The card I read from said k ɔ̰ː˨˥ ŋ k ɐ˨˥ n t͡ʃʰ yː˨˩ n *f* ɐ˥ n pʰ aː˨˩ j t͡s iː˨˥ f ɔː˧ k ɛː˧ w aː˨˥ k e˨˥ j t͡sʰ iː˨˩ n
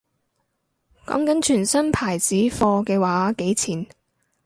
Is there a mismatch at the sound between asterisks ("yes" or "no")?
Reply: yes